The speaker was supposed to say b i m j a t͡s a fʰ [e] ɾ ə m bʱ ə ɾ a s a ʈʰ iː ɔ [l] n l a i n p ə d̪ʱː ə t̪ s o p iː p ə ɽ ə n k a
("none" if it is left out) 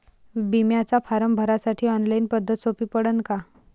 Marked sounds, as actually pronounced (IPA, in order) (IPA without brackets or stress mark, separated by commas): a, none